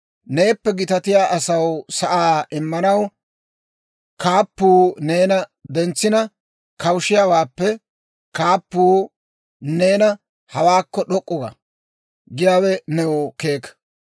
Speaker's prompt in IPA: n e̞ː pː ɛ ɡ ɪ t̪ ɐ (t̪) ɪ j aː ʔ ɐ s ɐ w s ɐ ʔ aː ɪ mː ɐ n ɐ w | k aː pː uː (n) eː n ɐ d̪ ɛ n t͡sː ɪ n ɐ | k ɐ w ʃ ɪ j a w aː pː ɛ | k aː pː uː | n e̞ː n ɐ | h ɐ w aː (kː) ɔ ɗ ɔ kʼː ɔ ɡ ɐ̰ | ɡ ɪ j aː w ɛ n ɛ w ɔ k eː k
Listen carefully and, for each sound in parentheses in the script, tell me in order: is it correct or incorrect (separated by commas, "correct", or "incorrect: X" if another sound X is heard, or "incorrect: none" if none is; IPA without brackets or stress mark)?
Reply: correct, correct, correct